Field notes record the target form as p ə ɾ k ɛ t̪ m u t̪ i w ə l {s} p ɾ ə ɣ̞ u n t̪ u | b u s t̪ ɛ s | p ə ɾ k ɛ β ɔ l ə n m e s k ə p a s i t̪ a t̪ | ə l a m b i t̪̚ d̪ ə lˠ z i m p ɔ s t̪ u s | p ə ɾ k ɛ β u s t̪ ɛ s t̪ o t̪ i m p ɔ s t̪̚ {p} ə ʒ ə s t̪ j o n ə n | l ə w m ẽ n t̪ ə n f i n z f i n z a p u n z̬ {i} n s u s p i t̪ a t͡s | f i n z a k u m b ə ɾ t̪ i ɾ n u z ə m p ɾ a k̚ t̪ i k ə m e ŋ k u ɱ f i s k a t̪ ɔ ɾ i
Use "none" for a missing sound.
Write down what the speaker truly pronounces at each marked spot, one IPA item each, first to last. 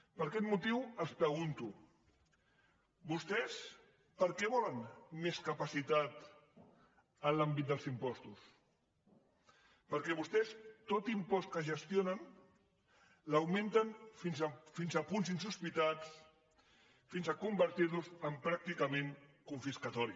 s, k, i

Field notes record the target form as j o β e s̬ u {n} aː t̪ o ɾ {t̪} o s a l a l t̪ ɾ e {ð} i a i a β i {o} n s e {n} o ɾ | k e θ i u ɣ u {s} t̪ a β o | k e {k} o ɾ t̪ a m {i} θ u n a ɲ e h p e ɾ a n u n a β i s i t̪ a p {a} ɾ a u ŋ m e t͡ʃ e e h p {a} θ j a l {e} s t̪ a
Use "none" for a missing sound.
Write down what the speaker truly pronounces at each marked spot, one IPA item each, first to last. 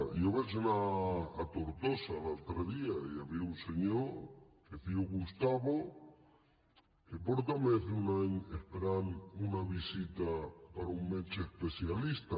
n, t̪, ð, u, ɲ, s, p, e, a, e, i

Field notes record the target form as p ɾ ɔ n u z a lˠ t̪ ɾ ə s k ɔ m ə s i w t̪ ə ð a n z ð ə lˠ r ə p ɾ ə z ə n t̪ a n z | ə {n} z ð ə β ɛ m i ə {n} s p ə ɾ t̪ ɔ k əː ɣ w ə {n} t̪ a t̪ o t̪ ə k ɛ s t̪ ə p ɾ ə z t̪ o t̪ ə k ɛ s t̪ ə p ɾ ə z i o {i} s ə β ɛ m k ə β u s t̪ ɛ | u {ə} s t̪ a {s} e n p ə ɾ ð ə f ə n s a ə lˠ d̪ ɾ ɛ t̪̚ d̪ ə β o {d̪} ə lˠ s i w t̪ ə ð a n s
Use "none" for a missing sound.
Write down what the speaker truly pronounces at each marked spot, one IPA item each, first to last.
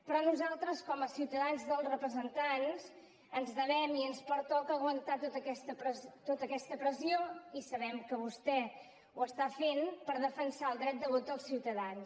n, n, n, i, ə, f, t̪

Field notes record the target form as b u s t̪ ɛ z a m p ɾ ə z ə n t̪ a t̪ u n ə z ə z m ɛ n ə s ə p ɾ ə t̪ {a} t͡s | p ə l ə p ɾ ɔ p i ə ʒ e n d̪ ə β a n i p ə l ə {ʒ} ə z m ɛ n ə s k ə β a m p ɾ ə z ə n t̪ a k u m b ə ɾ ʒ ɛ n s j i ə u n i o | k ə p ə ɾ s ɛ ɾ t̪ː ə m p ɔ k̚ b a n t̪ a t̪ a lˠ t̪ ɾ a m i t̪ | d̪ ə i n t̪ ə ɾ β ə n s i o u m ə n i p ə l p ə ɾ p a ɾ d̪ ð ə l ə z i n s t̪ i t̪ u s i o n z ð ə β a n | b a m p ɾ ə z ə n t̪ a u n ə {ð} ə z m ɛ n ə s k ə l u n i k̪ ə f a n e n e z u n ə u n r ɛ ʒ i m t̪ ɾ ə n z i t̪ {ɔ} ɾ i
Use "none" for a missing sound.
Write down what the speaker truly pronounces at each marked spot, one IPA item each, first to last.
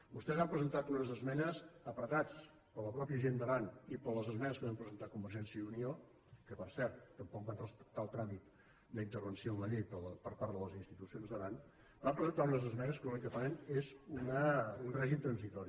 a, z, z, ɔ

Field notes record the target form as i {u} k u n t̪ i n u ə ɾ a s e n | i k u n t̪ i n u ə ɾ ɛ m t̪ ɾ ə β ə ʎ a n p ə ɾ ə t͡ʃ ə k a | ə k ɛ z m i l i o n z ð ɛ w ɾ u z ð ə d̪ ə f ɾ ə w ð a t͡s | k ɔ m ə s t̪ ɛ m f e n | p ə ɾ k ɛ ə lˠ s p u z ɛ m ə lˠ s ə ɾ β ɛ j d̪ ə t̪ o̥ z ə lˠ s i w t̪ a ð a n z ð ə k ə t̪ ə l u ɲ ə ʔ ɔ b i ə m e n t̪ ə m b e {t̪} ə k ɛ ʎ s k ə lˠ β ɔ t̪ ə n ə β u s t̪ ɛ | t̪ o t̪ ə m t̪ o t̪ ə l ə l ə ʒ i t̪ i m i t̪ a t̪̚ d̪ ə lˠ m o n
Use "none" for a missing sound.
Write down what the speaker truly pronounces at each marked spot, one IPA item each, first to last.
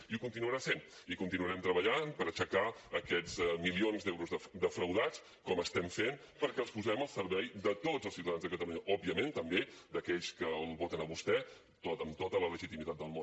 u, d̪

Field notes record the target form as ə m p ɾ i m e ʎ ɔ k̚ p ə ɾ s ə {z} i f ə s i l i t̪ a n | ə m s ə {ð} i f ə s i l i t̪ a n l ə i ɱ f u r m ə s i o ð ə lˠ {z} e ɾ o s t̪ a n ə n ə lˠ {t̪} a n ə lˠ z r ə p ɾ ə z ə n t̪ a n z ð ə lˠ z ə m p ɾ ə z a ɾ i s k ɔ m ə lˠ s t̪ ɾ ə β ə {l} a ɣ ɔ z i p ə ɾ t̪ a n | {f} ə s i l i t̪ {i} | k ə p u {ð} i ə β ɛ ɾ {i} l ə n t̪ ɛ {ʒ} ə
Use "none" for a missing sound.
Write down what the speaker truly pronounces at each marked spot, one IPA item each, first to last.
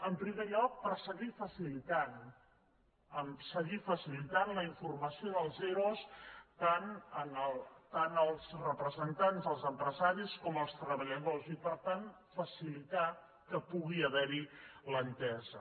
ɣ, ɣ, z, t̪, ʎ, f, a, ɣ, i, z

